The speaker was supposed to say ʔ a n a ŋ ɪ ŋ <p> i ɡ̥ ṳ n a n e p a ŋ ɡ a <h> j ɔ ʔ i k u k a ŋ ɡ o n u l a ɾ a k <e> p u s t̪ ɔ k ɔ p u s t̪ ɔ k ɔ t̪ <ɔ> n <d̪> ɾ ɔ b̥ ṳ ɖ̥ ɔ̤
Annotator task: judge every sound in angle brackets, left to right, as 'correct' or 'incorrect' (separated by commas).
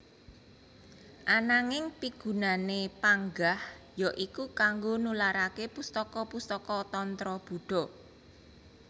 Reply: correct, correct, correct, correct, incorrect